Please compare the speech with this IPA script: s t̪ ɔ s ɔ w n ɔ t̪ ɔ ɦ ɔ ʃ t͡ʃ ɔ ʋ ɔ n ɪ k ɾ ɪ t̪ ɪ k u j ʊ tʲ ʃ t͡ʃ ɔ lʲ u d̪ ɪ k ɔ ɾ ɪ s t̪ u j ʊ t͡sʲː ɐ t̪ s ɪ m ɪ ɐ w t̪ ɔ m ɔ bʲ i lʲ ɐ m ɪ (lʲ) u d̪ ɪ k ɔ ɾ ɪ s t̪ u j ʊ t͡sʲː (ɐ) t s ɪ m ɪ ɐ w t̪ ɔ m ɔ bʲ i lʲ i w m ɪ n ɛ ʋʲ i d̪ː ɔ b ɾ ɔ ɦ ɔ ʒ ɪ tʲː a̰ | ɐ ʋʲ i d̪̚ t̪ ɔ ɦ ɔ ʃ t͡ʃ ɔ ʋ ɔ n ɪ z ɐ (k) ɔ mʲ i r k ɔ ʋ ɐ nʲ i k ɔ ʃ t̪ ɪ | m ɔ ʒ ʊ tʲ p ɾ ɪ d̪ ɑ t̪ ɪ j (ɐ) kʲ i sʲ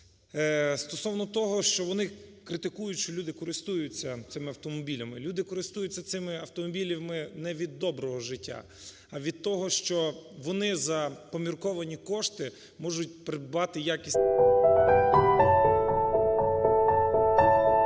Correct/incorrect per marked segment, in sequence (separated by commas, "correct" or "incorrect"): correct, correct, incorrect, incorrect